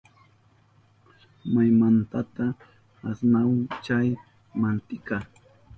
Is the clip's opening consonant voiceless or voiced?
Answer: voiced